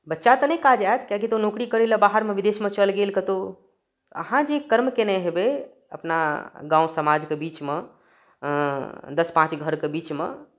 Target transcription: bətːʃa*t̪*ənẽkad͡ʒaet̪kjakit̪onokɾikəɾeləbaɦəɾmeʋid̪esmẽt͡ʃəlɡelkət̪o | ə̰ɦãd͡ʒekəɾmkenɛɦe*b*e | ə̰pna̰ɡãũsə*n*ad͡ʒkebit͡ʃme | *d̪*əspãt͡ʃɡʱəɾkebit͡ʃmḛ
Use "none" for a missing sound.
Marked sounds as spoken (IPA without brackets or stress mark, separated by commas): t̪, b, m, d̪